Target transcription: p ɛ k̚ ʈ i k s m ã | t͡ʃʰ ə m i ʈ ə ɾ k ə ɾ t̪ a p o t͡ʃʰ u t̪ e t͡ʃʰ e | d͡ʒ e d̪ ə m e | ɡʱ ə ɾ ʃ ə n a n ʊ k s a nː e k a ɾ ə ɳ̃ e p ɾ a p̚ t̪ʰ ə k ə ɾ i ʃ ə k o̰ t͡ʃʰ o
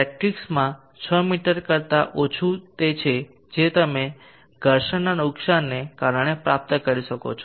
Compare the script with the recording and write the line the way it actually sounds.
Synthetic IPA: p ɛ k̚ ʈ i k s m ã | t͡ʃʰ ə m i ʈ ə ɾ k ə ɾ t̪ a ʔ o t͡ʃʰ u t̪ e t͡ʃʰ e | d͡ʒ e t̪ ə m e | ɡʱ ə ɾ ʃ ə n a n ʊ k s a nː e k a ɾ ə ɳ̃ e p ɾ a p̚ t̪ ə k ə ɾ i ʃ ə k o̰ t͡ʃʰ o